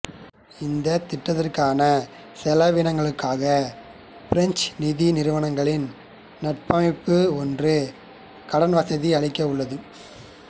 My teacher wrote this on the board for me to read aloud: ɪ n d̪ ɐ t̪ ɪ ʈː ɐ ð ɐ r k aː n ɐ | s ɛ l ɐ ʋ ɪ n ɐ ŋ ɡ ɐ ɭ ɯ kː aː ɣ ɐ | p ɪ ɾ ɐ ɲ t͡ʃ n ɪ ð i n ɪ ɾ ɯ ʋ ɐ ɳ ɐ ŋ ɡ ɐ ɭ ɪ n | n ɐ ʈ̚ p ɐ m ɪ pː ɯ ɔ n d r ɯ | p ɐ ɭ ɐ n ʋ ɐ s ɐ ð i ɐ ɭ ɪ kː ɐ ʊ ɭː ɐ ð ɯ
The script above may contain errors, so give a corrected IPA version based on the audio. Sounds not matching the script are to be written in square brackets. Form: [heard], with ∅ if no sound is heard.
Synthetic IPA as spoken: ɪ n d̪ ɐ t̪ ɪ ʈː ɐ ð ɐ r k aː n ɐ | s ɛ l ɐ ʋ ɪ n ɐ ŋ ɡ ɐ ɭ ɯ kː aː ɣ ɐ | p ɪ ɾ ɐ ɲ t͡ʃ n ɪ ð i n ɪ ɾ ɯ ʋ ɐ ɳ ɐ ŋ ɡ ɐ ɭ ɪ n | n ɐ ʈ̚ p ɐ m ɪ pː ɯ ɔ n d r ɯ | [k] ɐ [ɽ] ɐ n ʋ ɐ s ɐ ð i ɐ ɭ ɪ kː ɐ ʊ ɭː ɐ ð ɯ